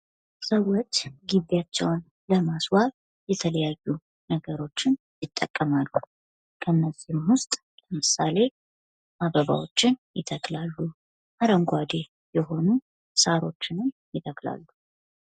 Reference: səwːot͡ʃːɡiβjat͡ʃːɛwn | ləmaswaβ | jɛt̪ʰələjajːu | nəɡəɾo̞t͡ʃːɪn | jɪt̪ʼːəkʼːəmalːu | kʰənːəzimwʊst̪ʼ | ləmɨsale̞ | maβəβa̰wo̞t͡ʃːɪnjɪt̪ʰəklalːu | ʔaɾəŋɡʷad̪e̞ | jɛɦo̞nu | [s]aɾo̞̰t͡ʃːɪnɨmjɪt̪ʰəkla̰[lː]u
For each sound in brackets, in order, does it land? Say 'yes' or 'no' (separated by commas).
yes, yes